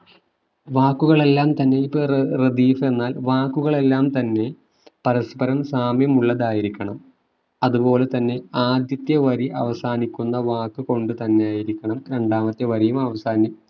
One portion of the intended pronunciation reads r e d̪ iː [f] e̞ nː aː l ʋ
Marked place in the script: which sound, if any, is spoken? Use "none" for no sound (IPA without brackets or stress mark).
f